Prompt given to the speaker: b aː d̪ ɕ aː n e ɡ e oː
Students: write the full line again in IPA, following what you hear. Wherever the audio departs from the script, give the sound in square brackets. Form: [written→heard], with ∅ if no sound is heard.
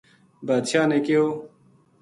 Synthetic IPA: b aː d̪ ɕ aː n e [ɡ→k] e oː